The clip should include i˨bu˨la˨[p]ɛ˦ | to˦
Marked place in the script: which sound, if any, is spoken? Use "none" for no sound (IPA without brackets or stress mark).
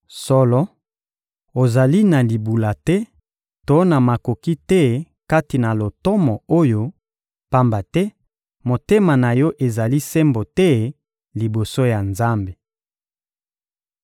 t